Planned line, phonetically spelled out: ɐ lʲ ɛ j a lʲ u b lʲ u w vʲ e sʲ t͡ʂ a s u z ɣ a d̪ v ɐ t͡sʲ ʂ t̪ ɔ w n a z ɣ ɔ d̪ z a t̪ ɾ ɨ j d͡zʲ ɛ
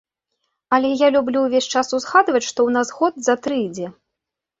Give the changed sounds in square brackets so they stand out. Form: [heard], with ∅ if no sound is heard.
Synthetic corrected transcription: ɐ lʲ ɛ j a lʲ u b lʲ u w vʲ e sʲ t͡ʂ a s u z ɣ a d̪ v ɐ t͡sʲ ʂ t̪ ɔ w n a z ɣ ɔ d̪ z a t̪ ɾ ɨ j d͡zʲ ɛ